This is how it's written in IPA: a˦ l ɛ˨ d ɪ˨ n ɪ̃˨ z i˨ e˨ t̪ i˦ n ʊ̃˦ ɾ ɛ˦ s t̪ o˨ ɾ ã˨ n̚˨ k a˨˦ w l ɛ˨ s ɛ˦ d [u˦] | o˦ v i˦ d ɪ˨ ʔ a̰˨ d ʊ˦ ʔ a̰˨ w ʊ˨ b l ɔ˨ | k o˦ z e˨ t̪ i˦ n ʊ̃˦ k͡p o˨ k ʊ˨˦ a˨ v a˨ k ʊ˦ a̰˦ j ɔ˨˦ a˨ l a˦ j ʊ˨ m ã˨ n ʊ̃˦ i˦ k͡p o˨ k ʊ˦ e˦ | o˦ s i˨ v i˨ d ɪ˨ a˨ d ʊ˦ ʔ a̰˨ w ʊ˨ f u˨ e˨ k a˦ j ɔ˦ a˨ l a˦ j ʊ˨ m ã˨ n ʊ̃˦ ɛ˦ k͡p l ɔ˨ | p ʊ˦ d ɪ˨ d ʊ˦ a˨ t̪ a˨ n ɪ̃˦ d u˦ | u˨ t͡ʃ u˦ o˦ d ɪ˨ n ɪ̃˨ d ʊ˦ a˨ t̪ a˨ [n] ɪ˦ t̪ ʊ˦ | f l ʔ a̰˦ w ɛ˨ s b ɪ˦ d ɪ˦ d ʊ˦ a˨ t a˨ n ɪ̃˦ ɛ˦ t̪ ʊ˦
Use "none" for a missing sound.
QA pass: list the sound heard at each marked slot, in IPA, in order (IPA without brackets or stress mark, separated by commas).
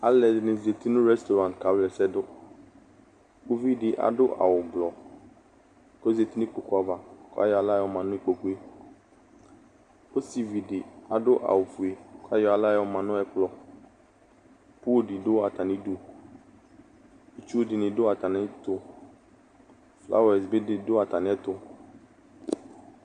ʊ˦, n